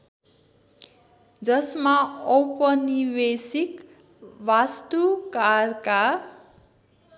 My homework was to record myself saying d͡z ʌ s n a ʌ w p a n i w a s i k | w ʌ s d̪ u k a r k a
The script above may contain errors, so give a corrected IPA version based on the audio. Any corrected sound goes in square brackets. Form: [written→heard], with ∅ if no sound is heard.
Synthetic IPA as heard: d͡z ʌ s [n→m] a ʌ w p [a→ʌ] n i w [a→e] s i k | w [ʌ→a] s [d̪→t̪] u k a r k a

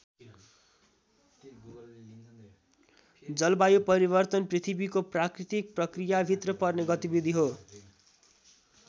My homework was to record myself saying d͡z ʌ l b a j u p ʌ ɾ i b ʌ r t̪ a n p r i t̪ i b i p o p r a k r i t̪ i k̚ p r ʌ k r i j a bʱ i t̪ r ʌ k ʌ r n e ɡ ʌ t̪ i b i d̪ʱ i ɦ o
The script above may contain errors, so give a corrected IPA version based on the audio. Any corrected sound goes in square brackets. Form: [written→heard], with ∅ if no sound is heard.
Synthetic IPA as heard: d͡z ʌ l b a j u p ʌ ɾ i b ʌ r t̪ [a→ʌ] n p r i [t̪→t̪ʰ] i b i [p→k] o p r a k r i t̪ i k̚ p r ʌ k r i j a bʱ i t̪ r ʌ [k→p] ʌ r n e ɡ ʌ t̪ i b i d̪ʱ i ɦ o

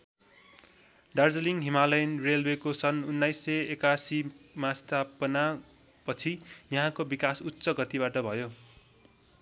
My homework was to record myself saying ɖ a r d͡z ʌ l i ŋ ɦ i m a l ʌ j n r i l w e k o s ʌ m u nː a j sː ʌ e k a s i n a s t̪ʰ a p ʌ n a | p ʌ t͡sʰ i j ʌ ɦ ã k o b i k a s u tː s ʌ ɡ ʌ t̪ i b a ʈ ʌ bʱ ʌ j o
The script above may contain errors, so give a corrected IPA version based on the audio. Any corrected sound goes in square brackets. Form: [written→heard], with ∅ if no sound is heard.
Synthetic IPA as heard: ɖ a r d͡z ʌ l i ŋ ɦ i m a l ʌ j n r [i→e] l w e k o s ʌ [m→n] u nː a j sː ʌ e k a s i [n→m] a s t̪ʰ a p ʌ n a | p ʌ t͡sʰ i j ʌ ɦ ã k o b i k a s u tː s ʌ ɡ ʌ t̪ i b a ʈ ʌ bʱ ʌ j o

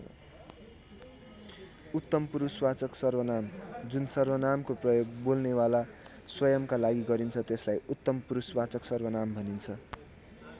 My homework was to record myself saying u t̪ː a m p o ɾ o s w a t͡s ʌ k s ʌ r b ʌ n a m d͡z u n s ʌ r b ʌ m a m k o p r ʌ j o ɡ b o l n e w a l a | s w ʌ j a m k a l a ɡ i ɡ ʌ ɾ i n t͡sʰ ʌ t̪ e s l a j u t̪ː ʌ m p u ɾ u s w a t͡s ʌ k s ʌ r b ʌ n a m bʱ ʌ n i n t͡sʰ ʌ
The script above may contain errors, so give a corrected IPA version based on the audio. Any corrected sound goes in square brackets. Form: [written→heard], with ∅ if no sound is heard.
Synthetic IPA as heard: u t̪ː [a→ʌ] m p [o→u] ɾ [o→u] s w a t͡s ʌ k s ʌ r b ʌ n a m d͡z u n s ʌ r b ʌ [m→n] a m k o p r ʌ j o ɡ b o l n e w a l a | s w ʌ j [a→ʌ] m k a l a ɡ i ɡ ʌ ɾ i n t͡sʰ ʌ t̪ e s l a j u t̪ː ʌ m p u ɾ u s w a t͡s ʌ k s ʌ r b ʌ n a m bʱ ʌ n i n t͡sʰ ʌ

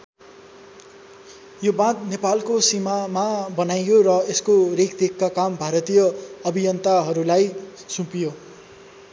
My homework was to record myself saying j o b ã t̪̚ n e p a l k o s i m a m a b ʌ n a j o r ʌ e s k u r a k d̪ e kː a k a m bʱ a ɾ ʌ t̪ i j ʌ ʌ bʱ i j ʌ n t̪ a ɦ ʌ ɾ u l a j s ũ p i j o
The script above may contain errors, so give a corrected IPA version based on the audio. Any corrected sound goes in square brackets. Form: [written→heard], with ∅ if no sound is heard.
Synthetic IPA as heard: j o b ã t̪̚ n e p a l k o s i m a m a b ʌ n a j o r ʌ e s k [u→o] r [a→e] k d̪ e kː a k a m bʱ a ɾ ʌ t̪ i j ʌ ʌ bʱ i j ʌ n t̪ a ɦ ʌ ɾ u l a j s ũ p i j o

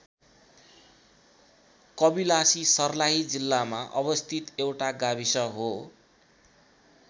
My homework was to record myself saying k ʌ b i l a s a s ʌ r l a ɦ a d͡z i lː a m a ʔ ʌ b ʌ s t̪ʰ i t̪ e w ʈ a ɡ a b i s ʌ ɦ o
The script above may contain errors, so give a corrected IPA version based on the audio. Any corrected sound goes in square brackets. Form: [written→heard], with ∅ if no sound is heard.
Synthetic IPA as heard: k ʌ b i l a s [a→i] s ʌ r l a ɦ [a→i] d͡z i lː a m a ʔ ʌ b ʌ s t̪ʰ i t̪ e w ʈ a ɡ a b i s ʌ ɦ o

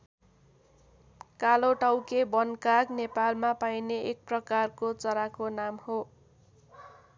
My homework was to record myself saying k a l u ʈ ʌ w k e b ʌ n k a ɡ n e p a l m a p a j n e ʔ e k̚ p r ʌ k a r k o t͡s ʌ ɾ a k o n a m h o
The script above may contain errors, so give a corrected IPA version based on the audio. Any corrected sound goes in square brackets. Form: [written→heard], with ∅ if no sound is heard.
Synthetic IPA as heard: k a l [u→o] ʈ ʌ w k e b ʌ n k a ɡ n e p a l m a p a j n e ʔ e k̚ p r ʌ k a r k o t͡s ʌ ɾ a k o n a m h o

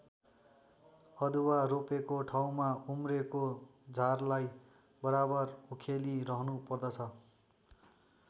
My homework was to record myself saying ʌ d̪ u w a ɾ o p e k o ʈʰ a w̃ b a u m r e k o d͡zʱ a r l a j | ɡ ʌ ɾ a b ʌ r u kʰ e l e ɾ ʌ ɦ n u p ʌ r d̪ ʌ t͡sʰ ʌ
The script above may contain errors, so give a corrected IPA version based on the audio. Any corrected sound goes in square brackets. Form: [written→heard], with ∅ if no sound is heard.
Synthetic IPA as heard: ʌ d̪ u w a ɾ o p e k o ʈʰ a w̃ [b→m] a u m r e k o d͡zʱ a r l a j | [ɡ→b] ʌ ɾ a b ʌ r u kʰ e l [e→i] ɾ ʌ ɦ n u p ʌ r d̪ ʌ t͡sʰ ʌ

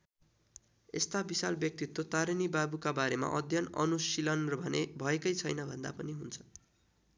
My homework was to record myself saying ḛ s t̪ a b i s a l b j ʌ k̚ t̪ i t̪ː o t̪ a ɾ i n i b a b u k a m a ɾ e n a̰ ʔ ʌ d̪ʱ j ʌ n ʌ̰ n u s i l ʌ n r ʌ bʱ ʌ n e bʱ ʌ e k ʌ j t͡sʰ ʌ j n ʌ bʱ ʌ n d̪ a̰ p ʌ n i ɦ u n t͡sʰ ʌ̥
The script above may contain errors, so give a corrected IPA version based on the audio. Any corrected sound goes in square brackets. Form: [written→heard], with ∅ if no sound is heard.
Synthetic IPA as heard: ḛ s t̪ a b i s a l b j ʌ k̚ t̪ i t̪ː o t̪ a ɾ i n i b a b u k a [m→b] a ɾ e [n→m] a̰ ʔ ʌ d̪ʱ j ʌ n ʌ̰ n u s i l ʌ n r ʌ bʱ ʌ n e bʱ ʌ e k ʌ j t͡sʰ ʌ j n ʌ bʱ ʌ n d̪ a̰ p ʌ n i ɦ u n t͡sʰ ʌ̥

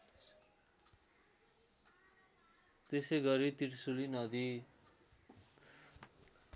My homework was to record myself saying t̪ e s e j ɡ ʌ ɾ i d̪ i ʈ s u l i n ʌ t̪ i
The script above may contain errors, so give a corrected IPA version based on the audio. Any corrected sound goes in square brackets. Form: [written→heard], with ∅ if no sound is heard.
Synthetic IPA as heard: t̪ e s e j ɡ ʌ ɾ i [d̪→t̪] i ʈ s u l i n ʌ [t̪→d̪] i

